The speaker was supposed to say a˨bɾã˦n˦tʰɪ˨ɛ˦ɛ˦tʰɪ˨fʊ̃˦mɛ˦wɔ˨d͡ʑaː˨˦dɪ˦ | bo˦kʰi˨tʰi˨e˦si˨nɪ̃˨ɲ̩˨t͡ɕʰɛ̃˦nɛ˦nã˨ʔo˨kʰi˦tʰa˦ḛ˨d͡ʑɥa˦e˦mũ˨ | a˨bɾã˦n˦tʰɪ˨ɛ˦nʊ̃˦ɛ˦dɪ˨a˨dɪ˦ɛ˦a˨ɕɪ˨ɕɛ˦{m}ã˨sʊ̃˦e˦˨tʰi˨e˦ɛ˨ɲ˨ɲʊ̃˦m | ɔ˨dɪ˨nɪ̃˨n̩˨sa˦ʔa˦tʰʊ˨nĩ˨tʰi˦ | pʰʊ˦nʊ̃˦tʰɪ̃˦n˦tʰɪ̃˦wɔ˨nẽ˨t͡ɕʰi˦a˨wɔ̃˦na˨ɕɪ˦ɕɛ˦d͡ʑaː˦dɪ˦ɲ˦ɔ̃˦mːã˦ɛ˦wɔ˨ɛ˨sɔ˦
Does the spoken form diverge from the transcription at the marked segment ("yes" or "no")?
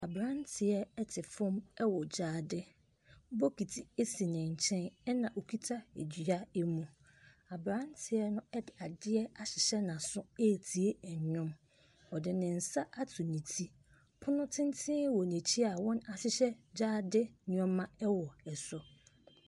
yes